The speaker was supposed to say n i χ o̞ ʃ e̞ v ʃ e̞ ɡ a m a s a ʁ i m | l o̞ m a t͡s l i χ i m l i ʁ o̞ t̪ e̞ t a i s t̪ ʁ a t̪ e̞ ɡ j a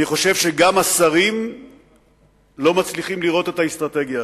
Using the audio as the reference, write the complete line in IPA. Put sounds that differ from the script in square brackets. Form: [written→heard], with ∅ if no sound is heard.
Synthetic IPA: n i χ o̞ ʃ e̞ v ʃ e̞ ɡ a m a s a ʁ i m | l o̞ m a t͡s l i χ i m l i ʁ o̞ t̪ e̞ t a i s t̪ ʁ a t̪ e̞ ɡ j a